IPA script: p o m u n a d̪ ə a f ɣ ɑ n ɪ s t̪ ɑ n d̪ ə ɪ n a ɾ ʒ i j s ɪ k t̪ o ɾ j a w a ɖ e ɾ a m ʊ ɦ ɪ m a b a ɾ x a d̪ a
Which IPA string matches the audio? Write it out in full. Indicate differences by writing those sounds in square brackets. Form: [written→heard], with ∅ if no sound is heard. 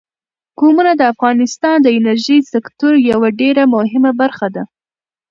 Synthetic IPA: [p→k] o m u n a d̪ ə a f ɣ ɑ n ɪ s t̪ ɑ n d̪ ə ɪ n a ɾ ʒ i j s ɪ k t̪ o ɾ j a w a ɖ e ɾ a m ʊ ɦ ɪ m a b a ɾ x a d̪ a